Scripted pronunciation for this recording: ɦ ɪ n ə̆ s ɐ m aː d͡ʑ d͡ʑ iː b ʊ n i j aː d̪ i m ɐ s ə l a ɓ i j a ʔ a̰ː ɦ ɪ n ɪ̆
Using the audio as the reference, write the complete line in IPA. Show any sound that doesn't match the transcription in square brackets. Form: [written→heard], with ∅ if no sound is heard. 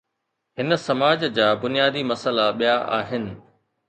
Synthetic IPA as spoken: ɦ ɪ n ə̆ s ɐ m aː d͡ʑ d͡ʑ [iː→aː] b ʊ n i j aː d̪ i m ɐ s ə l a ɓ i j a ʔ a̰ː ɦ ɪ n ɪ̆